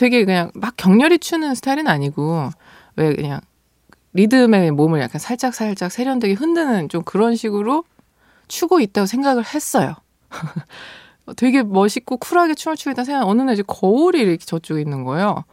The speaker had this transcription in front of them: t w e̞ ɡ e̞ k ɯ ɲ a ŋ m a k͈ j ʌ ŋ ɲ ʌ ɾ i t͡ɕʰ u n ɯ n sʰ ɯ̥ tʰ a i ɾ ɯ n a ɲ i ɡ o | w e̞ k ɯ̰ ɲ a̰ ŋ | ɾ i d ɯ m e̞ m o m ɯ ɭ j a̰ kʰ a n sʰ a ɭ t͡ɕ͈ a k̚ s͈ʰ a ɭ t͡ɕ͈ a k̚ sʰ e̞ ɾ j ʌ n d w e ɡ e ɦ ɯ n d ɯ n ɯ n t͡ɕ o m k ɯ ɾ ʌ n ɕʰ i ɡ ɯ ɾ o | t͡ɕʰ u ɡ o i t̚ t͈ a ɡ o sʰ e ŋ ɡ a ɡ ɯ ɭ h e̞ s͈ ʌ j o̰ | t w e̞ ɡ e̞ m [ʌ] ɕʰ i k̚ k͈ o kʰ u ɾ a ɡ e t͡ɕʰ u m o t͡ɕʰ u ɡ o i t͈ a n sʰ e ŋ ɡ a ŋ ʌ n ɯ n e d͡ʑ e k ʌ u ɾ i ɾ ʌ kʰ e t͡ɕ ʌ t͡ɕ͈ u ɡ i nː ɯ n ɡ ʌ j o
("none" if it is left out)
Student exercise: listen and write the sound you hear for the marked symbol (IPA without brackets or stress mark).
ʌ